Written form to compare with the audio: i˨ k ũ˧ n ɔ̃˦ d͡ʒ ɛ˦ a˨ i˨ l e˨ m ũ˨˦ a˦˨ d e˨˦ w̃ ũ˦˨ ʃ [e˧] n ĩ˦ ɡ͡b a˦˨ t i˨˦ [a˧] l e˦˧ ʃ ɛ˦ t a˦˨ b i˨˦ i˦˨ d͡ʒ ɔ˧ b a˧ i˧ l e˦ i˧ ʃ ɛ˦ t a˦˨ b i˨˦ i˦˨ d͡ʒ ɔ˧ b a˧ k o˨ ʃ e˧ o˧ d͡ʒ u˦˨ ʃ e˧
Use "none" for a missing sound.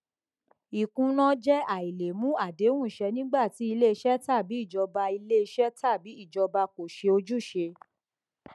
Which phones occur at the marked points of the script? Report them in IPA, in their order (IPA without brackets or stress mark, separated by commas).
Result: ɛ˧, i˧